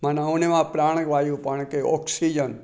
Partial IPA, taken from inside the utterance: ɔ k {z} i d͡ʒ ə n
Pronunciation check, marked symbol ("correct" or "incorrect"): incorrect